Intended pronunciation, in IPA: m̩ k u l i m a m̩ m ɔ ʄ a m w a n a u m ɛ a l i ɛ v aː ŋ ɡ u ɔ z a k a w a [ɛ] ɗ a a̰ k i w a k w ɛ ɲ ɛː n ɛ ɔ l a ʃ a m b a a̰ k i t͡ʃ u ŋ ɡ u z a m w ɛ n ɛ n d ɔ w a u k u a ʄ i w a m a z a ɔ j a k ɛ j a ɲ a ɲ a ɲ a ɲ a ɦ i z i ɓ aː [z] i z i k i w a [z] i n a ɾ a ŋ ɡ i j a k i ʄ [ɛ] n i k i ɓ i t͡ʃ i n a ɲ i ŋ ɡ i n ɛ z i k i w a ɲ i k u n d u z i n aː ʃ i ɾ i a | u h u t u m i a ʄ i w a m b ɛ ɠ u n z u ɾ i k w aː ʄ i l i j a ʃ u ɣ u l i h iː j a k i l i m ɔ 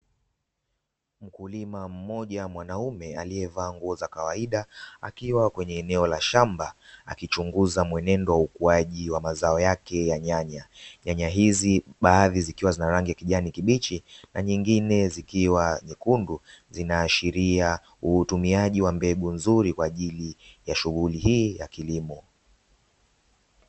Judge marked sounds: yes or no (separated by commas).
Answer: no, no, yes, no